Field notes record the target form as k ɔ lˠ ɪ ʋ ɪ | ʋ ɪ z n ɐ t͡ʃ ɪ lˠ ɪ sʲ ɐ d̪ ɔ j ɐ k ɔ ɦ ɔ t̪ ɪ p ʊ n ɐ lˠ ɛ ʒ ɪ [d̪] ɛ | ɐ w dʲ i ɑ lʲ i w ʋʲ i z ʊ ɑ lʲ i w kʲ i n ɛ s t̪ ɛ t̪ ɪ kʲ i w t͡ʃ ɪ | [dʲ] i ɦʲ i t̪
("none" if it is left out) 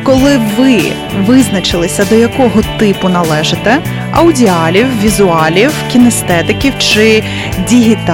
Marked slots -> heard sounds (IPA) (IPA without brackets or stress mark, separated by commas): t̪, dʲ